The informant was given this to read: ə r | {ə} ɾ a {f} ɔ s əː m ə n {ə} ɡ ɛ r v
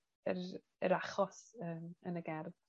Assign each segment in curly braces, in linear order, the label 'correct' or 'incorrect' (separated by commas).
correct, incorrect, correct